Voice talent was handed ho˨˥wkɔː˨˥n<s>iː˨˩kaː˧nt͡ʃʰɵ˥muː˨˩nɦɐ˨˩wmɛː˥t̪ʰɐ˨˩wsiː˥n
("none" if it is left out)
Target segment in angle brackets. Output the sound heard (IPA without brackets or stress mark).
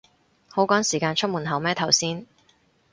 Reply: s